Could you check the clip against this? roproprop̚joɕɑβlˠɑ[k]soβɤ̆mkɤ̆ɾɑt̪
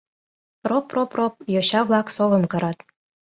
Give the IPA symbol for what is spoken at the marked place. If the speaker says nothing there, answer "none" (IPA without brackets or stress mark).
k